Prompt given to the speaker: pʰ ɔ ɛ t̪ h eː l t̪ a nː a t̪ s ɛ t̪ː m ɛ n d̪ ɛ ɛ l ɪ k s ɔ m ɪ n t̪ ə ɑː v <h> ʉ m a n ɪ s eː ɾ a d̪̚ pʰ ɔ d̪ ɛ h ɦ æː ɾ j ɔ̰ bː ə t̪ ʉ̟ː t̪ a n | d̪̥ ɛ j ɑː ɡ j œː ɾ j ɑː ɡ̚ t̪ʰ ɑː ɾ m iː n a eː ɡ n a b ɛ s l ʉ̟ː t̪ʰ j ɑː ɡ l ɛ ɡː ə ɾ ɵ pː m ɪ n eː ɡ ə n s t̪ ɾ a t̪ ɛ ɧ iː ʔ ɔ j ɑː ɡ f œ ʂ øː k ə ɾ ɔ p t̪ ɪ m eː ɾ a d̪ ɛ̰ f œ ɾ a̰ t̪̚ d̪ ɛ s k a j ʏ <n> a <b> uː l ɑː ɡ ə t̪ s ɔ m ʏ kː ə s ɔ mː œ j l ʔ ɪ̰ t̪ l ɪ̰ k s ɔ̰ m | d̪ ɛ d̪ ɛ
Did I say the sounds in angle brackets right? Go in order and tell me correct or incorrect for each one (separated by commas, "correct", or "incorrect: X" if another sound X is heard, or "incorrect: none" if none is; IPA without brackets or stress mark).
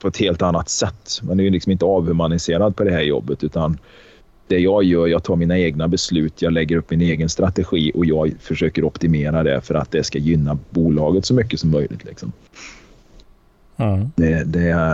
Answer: correct, incorrect: nː, correct